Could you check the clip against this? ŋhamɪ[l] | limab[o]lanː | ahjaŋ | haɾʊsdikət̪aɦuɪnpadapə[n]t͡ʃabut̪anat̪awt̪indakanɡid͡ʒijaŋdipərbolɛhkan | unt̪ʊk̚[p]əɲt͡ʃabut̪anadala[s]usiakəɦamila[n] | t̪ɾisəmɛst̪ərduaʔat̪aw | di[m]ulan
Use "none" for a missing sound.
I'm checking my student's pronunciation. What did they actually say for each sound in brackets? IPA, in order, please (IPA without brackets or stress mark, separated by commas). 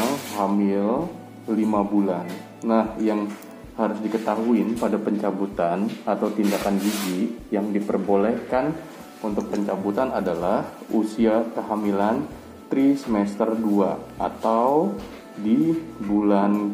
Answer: l, u, ɲ, p, h, n, b